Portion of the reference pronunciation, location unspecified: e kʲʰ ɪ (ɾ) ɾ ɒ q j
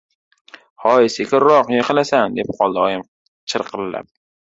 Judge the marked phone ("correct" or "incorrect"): correct